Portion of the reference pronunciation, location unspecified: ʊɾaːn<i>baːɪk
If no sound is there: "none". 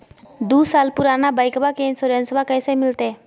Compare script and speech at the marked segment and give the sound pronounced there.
a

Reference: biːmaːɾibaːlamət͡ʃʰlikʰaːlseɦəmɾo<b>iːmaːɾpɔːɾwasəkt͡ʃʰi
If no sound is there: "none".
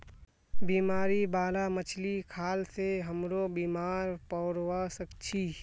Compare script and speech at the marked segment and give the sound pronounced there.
b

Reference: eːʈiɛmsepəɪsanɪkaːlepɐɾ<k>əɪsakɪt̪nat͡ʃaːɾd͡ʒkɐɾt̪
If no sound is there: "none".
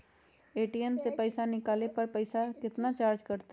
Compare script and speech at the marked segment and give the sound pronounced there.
p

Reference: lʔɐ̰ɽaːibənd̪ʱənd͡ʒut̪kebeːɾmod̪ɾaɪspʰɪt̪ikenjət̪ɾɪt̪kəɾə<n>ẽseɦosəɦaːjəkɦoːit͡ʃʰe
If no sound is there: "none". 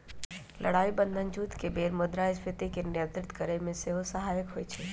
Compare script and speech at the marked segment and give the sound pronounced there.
m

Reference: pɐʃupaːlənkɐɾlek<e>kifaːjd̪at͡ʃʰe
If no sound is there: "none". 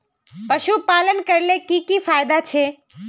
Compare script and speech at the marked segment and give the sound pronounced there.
i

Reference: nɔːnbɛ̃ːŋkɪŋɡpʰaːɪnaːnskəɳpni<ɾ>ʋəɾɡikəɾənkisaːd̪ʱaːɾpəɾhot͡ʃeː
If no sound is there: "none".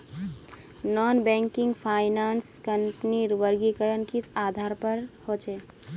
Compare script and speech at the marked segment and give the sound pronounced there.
ɾ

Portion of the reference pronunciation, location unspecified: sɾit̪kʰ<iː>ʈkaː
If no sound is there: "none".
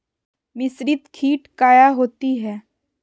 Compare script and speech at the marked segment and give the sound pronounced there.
iː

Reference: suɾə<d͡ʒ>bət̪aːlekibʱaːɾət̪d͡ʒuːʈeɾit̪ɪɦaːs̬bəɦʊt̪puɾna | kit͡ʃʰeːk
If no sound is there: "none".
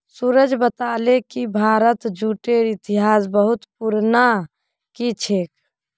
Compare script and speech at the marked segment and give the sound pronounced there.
d͡ʒ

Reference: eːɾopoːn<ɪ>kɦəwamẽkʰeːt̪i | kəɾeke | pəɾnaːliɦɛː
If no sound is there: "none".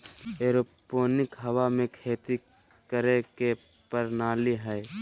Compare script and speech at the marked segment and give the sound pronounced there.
ɪ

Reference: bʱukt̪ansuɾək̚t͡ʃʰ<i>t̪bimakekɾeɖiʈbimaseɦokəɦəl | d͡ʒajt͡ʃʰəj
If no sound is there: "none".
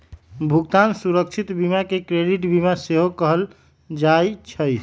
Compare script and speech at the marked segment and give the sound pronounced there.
i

